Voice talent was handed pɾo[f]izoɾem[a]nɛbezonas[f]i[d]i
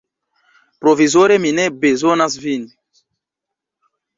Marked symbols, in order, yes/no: no, no, no, no

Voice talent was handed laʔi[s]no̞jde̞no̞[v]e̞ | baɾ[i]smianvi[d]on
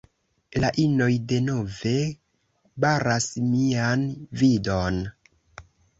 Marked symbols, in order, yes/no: no, yes, no, yes

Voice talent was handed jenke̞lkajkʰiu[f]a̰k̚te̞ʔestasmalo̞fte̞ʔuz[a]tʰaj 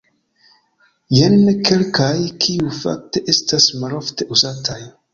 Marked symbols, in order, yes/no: yes, yes

